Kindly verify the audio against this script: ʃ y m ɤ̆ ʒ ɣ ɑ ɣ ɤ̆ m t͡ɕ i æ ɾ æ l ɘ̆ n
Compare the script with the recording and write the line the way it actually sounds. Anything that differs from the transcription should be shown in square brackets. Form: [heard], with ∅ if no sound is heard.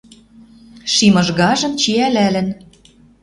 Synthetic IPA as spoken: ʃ [i] m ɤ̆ ʒ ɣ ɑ [ʒ] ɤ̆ m t͡ɕ i æ [l] æ l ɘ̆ n